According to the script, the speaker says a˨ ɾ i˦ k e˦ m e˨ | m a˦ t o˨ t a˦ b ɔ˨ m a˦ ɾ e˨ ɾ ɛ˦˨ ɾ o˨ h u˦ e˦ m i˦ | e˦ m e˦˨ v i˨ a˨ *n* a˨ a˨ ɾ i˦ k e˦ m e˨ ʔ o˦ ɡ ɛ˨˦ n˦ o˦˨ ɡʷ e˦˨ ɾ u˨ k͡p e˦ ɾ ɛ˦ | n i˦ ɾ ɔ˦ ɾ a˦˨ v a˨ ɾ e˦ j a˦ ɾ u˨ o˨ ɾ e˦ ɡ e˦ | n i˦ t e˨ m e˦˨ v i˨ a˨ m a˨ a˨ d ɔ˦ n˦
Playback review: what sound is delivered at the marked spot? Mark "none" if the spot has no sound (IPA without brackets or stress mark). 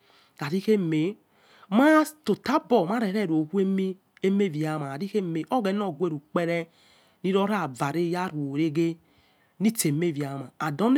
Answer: m